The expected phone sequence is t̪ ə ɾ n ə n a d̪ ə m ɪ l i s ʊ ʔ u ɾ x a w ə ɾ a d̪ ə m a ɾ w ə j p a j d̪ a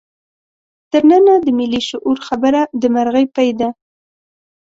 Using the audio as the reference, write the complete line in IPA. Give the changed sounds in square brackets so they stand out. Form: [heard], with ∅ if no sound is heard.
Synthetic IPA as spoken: t̪ ə ɾ n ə n a d̪ ə m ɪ l i [ʃ] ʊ ʔ u ɾ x a [b] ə ɾ a d̪ ə m a ɾ [ɣ] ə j p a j d̪ a